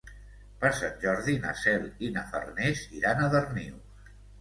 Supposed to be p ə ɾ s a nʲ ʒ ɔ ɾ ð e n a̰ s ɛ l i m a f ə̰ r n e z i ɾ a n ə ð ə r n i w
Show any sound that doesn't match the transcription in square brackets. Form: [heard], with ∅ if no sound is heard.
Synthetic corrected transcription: p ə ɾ s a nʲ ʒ ɔ ɾ ð [i] n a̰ s ɛ l i [n] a f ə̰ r n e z i ɾ a n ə ð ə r n i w